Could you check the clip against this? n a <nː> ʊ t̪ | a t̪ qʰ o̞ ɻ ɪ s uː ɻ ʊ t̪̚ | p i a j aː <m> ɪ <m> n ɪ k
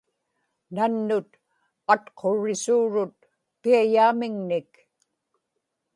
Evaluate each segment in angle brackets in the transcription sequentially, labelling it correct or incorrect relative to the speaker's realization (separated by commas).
correct, correct, incorrect